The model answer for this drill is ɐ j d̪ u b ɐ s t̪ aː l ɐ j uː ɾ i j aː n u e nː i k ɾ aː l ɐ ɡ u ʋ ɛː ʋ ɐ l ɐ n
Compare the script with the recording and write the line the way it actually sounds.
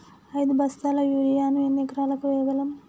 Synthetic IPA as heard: ɐ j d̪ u b ɐ s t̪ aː l ɐ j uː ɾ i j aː n u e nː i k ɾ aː l ɐ k u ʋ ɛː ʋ ɐ l ɐ m